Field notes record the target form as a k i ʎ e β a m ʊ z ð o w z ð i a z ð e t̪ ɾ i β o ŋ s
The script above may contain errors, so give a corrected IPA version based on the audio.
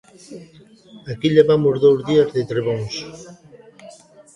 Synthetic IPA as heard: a k i ʎ e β a m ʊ z ð o w z ð i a z ð e t̪ ɾ e β o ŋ s